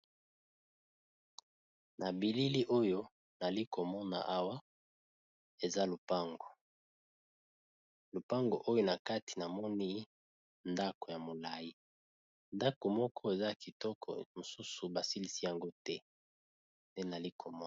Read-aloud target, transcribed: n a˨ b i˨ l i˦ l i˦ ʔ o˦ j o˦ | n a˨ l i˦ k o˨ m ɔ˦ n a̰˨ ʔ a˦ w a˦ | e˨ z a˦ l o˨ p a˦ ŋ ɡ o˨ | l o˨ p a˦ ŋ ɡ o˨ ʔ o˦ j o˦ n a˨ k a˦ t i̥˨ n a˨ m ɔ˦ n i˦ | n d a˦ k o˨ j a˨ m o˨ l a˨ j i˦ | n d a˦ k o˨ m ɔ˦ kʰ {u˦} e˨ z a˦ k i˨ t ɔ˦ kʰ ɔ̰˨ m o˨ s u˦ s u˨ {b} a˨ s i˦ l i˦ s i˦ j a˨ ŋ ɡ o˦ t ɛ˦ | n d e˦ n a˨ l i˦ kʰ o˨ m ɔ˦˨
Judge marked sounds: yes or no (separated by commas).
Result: no, yes